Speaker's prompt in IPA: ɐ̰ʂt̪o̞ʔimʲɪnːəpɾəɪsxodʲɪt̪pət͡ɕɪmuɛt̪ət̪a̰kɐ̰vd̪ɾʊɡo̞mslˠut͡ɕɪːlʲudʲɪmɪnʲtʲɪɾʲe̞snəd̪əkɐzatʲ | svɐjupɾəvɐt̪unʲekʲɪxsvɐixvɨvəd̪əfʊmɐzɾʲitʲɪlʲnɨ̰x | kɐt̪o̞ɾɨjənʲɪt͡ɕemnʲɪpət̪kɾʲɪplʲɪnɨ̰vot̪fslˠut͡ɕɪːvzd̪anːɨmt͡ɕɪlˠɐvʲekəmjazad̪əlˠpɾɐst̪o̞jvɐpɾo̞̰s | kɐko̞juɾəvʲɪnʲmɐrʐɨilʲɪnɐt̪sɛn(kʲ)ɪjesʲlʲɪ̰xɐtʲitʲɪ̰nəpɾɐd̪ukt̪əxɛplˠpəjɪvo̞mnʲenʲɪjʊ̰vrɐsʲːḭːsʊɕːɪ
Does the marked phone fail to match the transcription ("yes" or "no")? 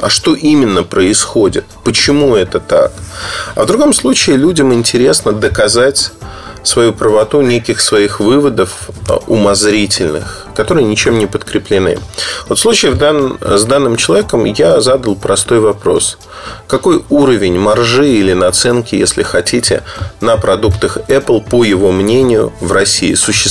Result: no